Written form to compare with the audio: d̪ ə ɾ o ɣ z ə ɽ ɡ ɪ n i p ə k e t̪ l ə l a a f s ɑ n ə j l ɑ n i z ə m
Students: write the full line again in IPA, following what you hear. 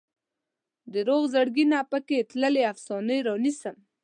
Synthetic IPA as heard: d̪ ə ɾ o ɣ z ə ɽ ɡ i n a p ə k e t̪ l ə l e a f s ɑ n ə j ɾ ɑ n i s ə m